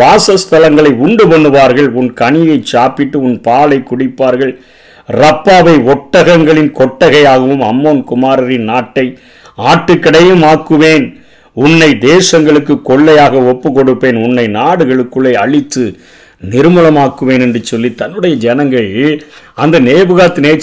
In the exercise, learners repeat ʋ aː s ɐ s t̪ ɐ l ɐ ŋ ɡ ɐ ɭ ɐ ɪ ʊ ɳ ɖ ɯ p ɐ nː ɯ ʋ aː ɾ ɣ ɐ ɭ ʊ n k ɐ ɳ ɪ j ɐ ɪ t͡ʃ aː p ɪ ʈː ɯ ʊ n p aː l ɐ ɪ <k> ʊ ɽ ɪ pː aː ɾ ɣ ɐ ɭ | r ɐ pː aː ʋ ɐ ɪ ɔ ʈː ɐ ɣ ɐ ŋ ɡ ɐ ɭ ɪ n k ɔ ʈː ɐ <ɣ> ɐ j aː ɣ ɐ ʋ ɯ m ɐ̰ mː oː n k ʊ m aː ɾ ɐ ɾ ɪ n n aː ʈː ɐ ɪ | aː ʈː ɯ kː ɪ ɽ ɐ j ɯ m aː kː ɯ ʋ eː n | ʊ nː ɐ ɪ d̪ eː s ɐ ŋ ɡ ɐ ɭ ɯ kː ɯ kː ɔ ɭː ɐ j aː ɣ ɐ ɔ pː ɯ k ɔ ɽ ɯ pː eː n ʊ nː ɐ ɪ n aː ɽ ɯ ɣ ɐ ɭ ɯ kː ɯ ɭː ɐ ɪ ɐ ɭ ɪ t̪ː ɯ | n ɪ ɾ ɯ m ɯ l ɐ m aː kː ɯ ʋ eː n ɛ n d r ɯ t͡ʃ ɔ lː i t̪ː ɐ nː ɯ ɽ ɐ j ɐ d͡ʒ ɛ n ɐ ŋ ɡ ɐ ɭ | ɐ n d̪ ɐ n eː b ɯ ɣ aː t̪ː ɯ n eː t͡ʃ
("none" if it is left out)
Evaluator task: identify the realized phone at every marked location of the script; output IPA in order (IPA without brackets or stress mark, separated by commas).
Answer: k, ɣ